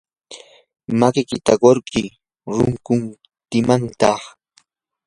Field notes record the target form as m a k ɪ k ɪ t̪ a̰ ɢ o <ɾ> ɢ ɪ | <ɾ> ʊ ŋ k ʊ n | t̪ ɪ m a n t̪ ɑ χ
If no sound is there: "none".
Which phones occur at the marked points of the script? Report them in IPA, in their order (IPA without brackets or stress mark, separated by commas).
ɾ, ɾ